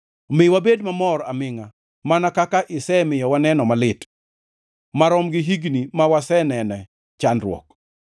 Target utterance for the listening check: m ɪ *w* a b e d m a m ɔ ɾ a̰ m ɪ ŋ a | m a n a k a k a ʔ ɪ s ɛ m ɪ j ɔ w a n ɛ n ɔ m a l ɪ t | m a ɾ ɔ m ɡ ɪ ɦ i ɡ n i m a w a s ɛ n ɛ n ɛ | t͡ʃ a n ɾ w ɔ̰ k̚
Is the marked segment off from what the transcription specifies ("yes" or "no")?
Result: no